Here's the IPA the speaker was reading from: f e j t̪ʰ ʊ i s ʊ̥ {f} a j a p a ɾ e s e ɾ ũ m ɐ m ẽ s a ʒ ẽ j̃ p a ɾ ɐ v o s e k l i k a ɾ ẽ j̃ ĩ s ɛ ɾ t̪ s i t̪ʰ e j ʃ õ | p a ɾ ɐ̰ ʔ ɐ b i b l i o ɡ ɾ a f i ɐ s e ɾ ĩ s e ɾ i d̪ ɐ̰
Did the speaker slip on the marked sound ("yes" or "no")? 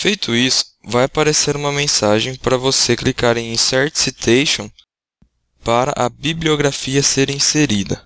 yes